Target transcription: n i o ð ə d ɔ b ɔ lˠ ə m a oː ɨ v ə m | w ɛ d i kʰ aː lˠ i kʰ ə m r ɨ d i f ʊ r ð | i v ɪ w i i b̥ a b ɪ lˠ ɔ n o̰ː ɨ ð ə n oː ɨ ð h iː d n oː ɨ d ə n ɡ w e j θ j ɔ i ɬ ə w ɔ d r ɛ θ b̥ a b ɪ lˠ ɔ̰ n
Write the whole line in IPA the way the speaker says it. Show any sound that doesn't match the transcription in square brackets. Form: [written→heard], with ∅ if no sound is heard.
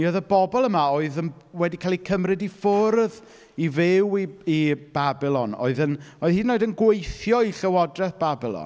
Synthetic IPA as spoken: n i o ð ə [d→b] ɔ b ɔ lˠ ə m a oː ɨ [v→ð] ə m | w ɛ d i kʰ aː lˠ i kʰ ə m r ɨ d i f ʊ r ð | i v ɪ w i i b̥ a b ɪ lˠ ɔ n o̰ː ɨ ð ə n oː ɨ ð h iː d n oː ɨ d ə n ɡ w e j θ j ɔ i ɬ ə w ɔ d r ɛ θ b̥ a b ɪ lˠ ɔ̰ n